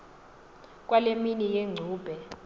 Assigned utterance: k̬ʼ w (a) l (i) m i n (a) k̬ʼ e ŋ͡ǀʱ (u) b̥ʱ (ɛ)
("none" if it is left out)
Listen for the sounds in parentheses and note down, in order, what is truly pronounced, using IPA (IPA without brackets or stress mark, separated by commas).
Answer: a, e, i, uː, ɛ